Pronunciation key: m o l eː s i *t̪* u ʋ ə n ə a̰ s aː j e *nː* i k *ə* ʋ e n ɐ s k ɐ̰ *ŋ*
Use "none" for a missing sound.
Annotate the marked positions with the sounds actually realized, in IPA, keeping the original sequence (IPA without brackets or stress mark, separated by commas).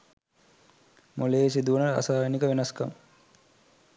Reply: d̪, n, ə, m